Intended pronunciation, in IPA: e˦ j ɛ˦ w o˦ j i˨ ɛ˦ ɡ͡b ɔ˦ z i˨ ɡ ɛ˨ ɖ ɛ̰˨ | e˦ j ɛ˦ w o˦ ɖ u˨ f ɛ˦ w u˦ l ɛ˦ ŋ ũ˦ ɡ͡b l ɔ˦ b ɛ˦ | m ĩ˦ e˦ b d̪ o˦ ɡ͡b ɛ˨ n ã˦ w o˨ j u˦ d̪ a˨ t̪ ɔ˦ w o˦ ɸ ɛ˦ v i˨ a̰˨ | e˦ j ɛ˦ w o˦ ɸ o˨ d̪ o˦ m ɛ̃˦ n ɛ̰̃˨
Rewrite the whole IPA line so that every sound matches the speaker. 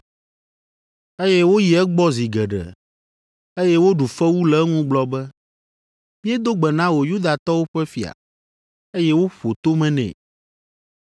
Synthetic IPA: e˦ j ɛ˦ w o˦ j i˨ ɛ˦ ɡ͡b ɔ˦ z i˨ ɡ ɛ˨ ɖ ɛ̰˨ | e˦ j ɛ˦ w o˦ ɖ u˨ f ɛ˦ w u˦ l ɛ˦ ŋ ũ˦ ɡ͡b l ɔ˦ b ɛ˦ | m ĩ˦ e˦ d̪ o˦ ɡ͡b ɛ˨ n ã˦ w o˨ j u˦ d̪ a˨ t̪ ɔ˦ w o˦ ɸ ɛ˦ f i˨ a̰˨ | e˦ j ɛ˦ w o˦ ɸ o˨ t̪ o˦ m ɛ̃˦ n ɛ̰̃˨